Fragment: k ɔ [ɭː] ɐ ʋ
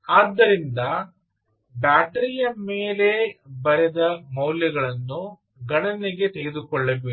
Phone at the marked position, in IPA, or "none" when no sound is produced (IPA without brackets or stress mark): ɭː